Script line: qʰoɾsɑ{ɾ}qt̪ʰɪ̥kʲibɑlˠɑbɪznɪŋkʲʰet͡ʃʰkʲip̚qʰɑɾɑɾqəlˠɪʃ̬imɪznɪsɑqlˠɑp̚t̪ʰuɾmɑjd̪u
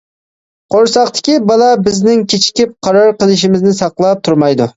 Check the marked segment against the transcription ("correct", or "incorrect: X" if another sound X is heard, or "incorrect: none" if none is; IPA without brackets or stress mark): incorrect: none